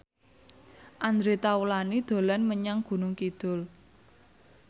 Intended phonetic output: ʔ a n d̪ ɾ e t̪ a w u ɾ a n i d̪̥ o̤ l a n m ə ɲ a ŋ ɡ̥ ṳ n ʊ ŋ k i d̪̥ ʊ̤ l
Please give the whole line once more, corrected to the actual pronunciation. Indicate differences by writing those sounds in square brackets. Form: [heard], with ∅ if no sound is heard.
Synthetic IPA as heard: ʔ a n d̪ ɾ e t̪ a w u [l] a n i d̪̥ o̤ l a n m ə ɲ a ŋ ɡ̥ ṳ n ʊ ŋ k i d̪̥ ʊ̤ l